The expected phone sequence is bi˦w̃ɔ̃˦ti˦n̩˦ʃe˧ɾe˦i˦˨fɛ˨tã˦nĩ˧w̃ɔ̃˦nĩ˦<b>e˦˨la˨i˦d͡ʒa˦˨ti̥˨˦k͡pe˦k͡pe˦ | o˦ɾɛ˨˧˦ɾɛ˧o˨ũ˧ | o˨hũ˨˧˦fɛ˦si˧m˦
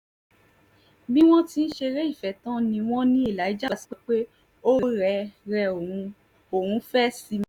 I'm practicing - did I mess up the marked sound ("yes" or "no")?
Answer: yes